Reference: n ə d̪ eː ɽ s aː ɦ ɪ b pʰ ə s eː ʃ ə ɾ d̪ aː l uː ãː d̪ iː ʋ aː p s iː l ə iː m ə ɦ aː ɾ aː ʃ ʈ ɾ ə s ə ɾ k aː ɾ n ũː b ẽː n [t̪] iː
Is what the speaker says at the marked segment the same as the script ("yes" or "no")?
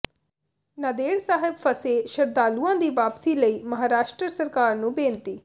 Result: yes